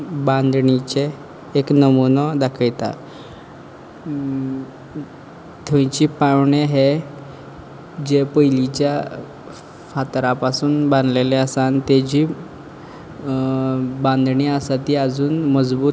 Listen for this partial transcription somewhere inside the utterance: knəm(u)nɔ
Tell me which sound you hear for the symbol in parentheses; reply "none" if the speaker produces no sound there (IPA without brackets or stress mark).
u